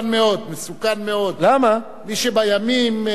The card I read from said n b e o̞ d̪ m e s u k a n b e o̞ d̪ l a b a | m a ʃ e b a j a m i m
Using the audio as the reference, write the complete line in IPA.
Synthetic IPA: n m e o̞ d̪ m e s u k a n m e o̞ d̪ l a m a | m i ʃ e b a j a m i m